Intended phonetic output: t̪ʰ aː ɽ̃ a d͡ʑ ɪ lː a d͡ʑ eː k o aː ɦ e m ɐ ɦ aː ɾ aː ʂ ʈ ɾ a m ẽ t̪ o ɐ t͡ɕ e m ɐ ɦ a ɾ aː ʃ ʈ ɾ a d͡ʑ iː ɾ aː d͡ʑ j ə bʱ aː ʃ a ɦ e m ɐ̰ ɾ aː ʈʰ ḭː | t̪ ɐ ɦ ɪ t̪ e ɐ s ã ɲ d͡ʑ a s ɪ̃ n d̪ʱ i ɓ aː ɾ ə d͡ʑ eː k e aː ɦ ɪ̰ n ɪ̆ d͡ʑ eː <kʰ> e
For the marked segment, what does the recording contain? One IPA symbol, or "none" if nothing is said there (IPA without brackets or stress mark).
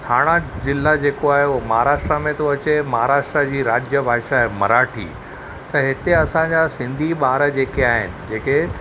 k